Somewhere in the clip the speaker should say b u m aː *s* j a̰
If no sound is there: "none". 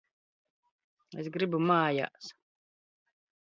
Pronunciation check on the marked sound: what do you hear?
none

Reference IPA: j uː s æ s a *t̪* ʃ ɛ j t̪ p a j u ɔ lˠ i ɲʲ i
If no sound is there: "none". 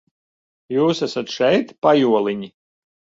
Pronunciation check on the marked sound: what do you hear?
t̪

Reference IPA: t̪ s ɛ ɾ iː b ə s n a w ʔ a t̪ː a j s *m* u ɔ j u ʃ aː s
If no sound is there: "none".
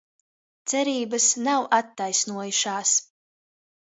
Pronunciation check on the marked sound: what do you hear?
n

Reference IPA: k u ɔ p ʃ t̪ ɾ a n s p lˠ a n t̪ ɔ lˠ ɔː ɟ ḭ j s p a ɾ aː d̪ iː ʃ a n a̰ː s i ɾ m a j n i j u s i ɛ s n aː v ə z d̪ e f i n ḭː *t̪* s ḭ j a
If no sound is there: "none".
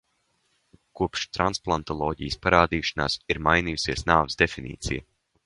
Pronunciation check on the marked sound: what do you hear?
t̪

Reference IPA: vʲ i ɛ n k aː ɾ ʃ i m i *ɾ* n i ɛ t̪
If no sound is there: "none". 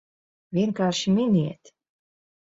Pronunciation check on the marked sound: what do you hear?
none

